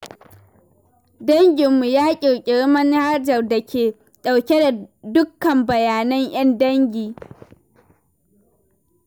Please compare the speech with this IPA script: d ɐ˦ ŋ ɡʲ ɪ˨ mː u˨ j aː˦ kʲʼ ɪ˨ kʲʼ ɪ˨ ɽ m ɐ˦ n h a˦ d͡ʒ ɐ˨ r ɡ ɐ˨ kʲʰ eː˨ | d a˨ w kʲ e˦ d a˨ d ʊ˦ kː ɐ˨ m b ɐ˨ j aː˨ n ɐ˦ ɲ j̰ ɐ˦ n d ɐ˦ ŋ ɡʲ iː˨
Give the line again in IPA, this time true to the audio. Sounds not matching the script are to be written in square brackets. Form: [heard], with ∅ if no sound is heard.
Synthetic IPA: d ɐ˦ ŋ ɡʲ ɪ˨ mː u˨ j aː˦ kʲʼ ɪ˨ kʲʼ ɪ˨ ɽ m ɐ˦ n h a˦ d͡ʒ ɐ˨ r [d] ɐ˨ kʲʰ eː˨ | [ɗ] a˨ w kʲ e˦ d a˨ d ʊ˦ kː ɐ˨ m b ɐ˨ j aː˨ n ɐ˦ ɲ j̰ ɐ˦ n d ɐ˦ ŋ ɡʲ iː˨